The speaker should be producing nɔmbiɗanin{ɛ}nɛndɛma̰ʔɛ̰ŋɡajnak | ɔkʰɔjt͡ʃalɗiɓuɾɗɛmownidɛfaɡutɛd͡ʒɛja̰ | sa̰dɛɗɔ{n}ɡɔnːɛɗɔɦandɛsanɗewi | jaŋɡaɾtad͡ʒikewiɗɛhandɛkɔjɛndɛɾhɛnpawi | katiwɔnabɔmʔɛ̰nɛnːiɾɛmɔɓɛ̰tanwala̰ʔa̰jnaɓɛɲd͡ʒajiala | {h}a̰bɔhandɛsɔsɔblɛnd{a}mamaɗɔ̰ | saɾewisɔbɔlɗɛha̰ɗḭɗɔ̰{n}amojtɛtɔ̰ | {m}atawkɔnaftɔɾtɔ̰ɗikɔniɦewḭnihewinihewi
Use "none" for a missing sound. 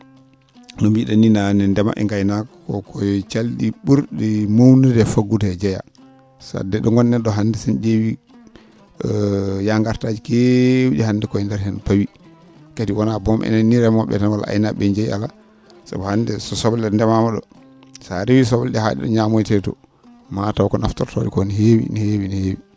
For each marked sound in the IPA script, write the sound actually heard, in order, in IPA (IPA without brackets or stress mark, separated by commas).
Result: a, ŋ, s, ɛ, ɲ, m